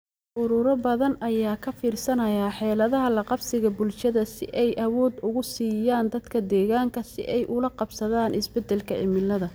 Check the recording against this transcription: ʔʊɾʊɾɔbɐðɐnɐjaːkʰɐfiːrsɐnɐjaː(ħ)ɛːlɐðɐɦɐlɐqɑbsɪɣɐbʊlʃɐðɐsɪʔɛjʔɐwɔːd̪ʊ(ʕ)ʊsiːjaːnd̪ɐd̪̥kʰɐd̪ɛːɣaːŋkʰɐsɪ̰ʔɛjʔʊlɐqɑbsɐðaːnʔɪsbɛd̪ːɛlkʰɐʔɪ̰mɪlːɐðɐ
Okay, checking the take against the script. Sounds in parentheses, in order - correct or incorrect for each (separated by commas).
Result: correct, incorrect